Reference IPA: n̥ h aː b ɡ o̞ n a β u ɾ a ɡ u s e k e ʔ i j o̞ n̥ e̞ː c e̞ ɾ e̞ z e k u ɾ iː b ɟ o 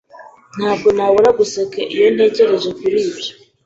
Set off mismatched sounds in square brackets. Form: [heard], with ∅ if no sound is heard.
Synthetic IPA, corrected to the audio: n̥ h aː b ɡ o̞ n a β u ɾ a ɡ u s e k e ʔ i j o̞ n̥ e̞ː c e̞ ɾ e̞ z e k u ɾ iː b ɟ o